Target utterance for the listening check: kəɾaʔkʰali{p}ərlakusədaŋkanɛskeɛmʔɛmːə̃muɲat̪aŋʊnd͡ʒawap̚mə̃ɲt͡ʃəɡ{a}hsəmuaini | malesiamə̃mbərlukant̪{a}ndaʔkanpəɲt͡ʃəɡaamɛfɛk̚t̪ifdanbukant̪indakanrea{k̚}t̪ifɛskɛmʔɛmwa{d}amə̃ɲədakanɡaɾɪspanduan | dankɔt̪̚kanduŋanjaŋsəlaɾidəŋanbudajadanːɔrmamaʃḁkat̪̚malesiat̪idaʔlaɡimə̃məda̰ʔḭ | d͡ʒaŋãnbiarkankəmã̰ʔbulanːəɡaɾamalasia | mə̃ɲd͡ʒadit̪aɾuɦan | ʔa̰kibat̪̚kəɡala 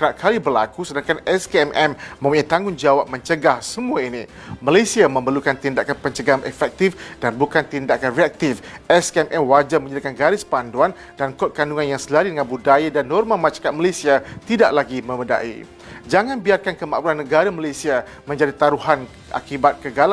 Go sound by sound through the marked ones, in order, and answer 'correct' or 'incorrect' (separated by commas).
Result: incorrect, correct, incorrect, correct, incorrect